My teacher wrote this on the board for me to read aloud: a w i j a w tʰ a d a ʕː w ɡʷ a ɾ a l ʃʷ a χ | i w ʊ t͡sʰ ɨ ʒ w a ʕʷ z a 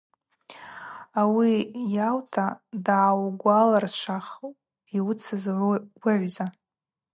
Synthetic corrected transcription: a w i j a w tʰ a d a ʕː w ɡʷ a l a r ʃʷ a χ | i w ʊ t͡sʰ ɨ z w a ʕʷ z a